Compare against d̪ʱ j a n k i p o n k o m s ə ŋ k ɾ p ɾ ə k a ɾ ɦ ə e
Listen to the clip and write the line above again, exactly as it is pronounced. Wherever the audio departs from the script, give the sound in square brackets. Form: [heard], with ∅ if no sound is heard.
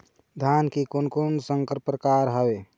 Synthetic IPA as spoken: d̪ʱ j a n k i [k] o n k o [n] s ə ŋ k ɾ p ɾ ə k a ɾ ɦ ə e